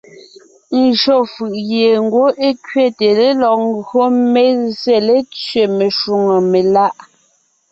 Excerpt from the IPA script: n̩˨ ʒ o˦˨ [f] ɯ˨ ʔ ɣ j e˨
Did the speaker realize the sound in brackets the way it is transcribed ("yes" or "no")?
yes